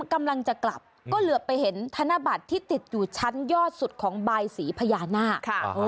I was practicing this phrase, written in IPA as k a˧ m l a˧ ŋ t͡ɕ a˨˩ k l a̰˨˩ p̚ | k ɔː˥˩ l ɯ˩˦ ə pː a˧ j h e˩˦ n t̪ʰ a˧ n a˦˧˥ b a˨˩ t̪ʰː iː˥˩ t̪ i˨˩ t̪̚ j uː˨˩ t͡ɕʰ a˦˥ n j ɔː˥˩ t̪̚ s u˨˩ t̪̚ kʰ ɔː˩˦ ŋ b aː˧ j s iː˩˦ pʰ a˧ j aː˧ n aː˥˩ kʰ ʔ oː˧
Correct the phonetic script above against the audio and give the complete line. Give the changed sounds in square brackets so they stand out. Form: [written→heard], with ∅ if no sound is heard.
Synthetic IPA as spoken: k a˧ m l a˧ ŋ t͡ɕ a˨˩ k l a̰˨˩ p̚ | k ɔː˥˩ l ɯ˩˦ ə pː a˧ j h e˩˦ n t̪ʰ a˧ n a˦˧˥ b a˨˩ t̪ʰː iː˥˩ t̪ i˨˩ t̪̚ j uː˨˩ t͡ɕʰ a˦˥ n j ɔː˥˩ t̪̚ s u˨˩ t̪̚ kʰ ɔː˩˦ ŋ b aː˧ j s iː˩˦ pʰ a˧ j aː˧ n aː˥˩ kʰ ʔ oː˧